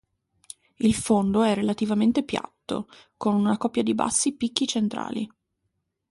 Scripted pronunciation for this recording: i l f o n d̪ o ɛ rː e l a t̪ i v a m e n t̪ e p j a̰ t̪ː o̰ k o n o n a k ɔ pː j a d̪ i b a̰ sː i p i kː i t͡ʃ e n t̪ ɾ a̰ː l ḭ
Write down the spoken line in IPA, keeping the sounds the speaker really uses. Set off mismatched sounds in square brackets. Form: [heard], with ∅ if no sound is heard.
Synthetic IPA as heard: i l f o n d̪ o ɛ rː e l a t̪ i v a m e n t̪ e p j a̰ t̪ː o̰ k o n [u] n a k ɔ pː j a d̪ i b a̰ sː i p i kː i t͡ʃ e n t̪ ɾ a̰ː l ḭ

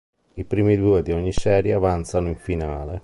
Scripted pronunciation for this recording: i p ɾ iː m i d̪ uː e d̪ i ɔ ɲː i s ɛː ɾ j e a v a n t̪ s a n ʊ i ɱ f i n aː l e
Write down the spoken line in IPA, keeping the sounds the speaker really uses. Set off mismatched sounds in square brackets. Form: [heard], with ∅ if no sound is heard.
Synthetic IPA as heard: i p ɾ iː m i d̪ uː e d̪ i ɔ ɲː i s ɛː ɾ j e a v a n t̪ s a n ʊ i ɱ f i n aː l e

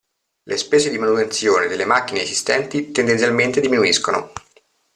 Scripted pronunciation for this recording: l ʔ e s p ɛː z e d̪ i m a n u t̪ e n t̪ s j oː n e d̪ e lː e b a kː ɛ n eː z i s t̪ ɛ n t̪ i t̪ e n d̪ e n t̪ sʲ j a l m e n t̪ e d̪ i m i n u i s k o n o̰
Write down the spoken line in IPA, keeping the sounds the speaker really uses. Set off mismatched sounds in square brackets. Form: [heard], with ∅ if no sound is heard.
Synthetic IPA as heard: l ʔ e s p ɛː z e d̪ i m a n u t̪ e n t̪ s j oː n e d̪ e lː e [m] a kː [i] n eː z i s t̪ ɛ n t̪ i t̪ e n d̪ e n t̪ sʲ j a l m e n t̪ e d̪ i m i n u i s k o n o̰

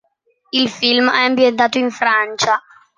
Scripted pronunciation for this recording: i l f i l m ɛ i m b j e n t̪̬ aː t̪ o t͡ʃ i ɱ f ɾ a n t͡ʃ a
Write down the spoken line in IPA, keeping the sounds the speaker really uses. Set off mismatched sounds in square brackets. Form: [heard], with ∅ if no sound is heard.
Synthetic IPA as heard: i l f i l m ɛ [a] m b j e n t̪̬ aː t̪ o [∅] i ɱ f ɾ a n t͡ʃ a

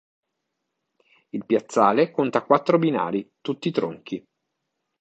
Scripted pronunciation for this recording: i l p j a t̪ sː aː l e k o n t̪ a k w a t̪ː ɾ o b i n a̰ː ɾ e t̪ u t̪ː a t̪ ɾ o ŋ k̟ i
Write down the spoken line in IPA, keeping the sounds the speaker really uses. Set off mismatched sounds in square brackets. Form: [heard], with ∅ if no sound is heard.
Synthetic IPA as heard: i l p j a t̪ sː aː l e k o n t̪ a k w a t̪ː ɾ o b i n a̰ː ɾ [i] t̪ u t̪ː [i] t̪ ɾ o ŋ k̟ i

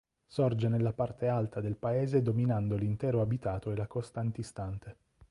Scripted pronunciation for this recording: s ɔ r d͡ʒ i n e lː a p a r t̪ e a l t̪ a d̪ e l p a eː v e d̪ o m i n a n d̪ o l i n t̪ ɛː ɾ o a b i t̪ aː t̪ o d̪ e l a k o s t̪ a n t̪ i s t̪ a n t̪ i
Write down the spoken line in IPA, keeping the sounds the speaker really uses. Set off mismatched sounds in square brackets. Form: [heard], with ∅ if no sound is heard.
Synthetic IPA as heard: s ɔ r d͡ʒ [e] n e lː a p a r t̪ e a l t̪ a d̪ e l p a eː [z] e d̪ o m i n a n d̪ o l i n t̪ ɛː ɾ o a b i t̪ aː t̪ o [∅] e l a k o s t̪ a n t̪ i s t̪ a n t̪ [e]

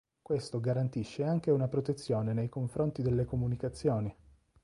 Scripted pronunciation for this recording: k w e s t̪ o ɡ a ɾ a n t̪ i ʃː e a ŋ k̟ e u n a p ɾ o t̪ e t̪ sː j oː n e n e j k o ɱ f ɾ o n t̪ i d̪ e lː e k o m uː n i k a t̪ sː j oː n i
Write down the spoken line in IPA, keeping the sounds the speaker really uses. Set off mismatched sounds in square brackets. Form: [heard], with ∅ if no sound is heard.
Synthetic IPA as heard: k w e s t̪ o ɡ a ɾ a n t̪ i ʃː e a ŋ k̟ e u n a p ɾ o t̪ e t̪ sː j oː n e n e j k o ɱ f ɾ o n t̪ i d̪ e lː e k o m [u] n i k a t̪ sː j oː n i

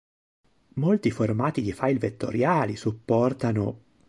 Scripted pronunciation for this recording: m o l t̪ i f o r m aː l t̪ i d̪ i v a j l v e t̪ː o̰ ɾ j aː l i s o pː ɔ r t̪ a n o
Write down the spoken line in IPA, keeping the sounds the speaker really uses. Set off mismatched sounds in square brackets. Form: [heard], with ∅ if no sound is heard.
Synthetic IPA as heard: m o l t̪ i f o r m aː [∅] t̪ i d̪ i [f] a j l v e t̪ː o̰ ɾ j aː l i s [u] pː ɔ r t̪ a n o

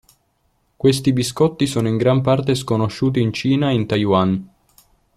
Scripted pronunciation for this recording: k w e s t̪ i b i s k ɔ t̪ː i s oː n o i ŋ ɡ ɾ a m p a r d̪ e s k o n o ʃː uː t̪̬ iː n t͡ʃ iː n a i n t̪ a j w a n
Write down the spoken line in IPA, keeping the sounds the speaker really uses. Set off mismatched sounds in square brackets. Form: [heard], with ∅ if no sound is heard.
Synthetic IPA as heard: k w e s t̪ i b i s k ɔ t̪ː i s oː n o i ŋ ɡ ɾ a m p a r [t̪] e s k o n o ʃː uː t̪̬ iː n t͡ʃ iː n a i n t̪ a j w a n

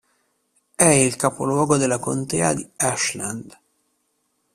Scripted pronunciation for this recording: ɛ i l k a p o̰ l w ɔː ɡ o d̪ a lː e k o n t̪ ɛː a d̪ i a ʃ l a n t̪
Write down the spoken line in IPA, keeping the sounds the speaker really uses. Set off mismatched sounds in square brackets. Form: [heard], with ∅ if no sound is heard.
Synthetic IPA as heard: ɛ i l k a p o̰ l w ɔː ɡ o d̪ [e] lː [a] k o n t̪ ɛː a d̪ i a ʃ l a n [d̪]

